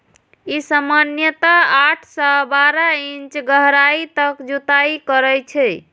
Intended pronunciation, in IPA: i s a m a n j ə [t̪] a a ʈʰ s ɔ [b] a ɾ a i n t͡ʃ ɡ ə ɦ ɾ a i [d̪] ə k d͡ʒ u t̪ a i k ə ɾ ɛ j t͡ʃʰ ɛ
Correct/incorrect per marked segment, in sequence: correct, correct, incorrect

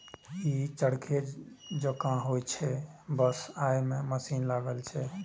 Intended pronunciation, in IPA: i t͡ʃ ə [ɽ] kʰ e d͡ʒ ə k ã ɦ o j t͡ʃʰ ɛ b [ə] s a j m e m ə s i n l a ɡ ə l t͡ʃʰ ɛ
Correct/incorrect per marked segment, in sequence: correct, correct

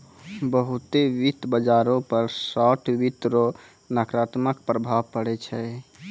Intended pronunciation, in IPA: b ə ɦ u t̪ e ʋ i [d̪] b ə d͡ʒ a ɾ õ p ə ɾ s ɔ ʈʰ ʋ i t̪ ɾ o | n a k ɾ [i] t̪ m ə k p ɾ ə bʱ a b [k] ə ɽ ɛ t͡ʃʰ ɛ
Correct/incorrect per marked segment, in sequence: incorrect, incorrect, incorrect

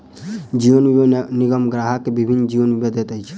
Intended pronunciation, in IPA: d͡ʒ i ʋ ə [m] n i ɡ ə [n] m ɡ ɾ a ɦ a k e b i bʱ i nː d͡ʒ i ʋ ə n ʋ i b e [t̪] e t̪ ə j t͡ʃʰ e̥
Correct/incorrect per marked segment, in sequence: incorrect, incorrect, incorrect

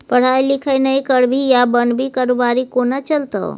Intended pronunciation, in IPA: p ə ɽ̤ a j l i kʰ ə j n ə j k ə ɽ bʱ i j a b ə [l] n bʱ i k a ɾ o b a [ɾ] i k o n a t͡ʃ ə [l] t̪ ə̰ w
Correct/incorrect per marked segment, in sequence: incorrect, correct, correct

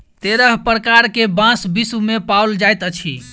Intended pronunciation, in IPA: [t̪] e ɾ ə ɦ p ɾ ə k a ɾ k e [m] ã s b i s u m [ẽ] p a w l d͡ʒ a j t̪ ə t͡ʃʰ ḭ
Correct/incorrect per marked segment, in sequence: correct, incorrect, incorrect

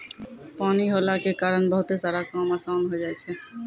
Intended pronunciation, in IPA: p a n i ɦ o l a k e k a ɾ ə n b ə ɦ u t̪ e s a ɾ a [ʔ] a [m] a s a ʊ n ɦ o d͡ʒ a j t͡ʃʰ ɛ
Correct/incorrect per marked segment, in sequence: incorrect, correct

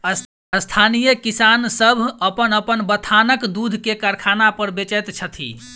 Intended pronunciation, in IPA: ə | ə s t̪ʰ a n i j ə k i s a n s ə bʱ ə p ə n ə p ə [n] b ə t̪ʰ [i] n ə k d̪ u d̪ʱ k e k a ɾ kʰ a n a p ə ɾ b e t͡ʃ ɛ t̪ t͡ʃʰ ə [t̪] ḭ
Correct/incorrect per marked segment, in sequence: correct, incorrect, incorrect

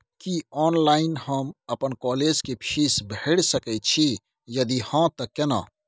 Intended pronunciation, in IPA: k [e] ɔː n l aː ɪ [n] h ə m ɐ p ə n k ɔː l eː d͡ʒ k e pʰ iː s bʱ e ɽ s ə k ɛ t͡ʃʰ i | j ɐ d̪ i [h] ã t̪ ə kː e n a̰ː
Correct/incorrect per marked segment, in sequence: incorrect, correct, correct

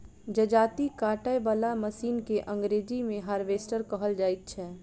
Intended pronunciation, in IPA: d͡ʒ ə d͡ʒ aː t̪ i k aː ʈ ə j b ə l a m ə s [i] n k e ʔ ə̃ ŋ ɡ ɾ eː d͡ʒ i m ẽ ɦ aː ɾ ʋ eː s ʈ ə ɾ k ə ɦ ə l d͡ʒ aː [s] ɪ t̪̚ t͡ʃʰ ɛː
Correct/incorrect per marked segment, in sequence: incorrect, incorrect

